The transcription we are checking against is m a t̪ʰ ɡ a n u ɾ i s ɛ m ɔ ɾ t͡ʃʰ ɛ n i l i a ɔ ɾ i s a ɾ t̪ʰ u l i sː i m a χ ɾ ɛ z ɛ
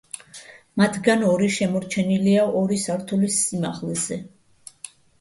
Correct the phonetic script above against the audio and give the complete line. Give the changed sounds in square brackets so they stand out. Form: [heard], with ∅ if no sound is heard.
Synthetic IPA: m a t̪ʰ ɡ a n [ɔ] ɾ i [ʃ] ɛ m ɔ ɾ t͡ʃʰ ɛ n i l i a ɔ ɾ i s a ɾ t̪ʰ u l i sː i m a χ [l] ɛ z ɛ